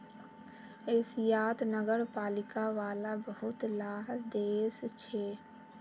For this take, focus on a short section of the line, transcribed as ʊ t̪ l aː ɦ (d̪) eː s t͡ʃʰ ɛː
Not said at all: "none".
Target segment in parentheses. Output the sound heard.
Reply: d̪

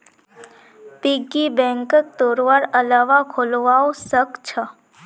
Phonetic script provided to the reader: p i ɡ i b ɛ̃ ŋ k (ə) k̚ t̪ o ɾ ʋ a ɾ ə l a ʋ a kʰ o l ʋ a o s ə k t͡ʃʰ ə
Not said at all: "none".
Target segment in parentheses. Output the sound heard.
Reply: ə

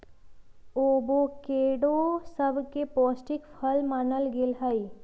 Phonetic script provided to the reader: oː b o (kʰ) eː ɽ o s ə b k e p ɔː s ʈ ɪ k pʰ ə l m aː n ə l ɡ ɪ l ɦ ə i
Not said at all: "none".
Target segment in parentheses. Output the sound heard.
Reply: k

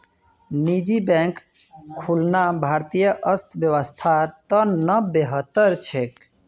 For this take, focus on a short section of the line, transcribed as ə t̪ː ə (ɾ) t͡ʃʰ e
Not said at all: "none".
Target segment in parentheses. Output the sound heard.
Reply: ɾ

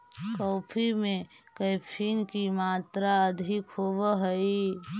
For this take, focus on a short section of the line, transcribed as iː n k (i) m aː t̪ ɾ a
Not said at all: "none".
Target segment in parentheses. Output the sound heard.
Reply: i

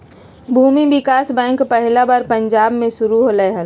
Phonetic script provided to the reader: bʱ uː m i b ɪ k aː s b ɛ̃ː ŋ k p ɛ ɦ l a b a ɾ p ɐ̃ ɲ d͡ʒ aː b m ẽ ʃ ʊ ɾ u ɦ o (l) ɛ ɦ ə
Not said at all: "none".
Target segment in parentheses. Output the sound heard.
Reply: l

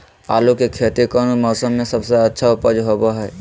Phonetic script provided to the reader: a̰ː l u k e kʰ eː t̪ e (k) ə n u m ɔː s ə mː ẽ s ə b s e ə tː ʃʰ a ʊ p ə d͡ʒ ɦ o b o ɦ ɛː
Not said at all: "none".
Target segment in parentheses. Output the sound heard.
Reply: k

